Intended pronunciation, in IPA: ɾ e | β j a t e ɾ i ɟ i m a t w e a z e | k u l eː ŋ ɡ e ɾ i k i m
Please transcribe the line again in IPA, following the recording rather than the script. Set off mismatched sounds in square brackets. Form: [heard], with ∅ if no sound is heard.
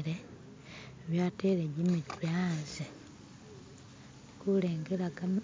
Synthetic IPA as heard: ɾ e | β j a t e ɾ [e] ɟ i m [i] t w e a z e | k u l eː ŋ ɡ e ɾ [a] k [a] m

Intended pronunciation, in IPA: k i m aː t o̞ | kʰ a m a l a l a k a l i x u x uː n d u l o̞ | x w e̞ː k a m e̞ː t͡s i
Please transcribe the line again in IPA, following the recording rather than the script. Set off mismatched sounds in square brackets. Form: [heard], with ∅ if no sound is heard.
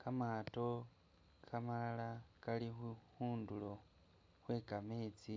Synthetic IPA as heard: k [a] m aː t o̞ | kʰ a m a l a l a k a l i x u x uː n d u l o̞ | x w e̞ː k a m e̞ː t͡s i

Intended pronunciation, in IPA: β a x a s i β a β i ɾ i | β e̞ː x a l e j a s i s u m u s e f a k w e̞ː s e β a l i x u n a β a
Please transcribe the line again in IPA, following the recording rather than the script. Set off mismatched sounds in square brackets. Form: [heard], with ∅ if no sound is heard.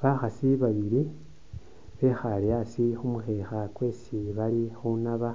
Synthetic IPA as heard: β a x a s i β a β i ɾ i | β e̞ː x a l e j a s i [x] u m u [x] e [x] a k w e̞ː s [i] β a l i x u n a β a

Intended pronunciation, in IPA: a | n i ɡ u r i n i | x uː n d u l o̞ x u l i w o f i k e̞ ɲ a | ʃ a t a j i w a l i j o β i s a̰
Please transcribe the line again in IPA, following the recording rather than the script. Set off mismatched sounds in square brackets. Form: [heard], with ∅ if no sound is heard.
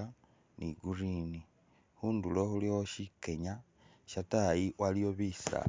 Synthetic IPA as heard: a | n i ɡ u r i n i | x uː n d u l o̞ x u l i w o [ʃ] i k e̞ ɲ a | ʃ a t a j i w a l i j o β i s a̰

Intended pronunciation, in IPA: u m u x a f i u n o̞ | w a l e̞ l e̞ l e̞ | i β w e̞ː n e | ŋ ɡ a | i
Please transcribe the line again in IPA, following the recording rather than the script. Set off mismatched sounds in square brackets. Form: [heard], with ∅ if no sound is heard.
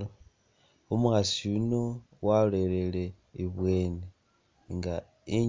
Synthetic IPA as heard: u m u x a [s] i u n o̞ | w a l e̞ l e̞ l e̞ | i β w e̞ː n e | ŋ ɡ a | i

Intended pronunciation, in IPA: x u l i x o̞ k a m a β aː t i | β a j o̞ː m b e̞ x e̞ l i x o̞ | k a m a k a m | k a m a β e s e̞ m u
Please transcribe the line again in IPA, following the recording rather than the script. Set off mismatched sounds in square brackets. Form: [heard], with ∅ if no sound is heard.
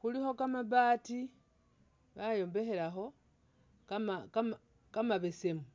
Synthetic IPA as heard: x u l i x o̞ k a m a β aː t i | β a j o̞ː m b e̞ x e̞ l [a] x o̞ | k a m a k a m | k a m a β e s e̞ m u

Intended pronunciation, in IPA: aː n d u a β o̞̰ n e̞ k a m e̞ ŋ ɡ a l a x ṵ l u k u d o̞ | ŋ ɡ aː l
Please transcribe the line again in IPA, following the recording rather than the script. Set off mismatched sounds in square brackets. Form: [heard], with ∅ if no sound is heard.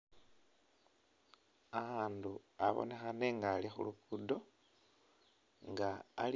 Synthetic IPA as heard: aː n d u a β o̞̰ n e̞ [x] a [n] e̞ ŋ ɡ a l [i] x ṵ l u k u d o̞ | ŋ ɡ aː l

